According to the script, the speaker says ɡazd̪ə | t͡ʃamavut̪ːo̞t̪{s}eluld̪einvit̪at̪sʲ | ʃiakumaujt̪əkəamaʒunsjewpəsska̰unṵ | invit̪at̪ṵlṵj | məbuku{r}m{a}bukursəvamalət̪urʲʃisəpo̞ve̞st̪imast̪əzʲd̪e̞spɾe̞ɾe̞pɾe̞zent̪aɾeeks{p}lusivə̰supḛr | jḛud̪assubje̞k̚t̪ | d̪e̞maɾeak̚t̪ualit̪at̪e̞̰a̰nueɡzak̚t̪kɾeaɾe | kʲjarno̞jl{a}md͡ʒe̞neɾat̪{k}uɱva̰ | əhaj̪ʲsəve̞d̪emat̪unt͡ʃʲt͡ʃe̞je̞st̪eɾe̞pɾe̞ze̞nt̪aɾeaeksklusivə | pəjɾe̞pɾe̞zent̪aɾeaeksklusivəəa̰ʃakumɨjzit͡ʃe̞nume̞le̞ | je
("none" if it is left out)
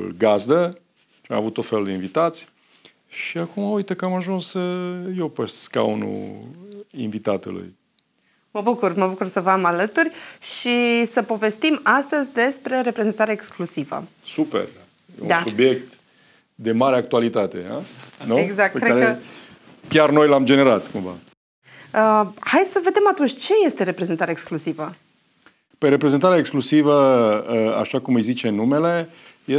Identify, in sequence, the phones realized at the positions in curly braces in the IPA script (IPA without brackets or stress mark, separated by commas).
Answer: f, r, ə, k, a, k